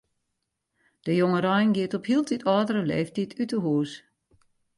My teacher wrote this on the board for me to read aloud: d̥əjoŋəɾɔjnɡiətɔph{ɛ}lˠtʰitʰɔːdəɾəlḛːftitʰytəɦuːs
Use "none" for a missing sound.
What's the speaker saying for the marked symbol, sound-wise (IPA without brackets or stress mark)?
i